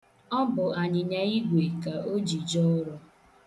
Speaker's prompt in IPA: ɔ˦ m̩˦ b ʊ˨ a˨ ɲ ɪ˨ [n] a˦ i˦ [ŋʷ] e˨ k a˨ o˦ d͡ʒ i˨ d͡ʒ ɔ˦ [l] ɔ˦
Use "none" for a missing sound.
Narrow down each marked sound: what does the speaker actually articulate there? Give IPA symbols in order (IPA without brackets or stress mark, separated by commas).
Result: ɲ, ɡʷ, ɾ